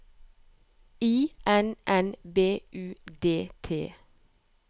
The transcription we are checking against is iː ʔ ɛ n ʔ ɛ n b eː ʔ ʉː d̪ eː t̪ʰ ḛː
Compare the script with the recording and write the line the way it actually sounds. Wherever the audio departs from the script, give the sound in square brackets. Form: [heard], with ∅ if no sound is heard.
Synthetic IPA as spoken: iː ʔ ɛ n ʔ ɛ n b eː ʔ ʉː d̪ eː t̪ʰ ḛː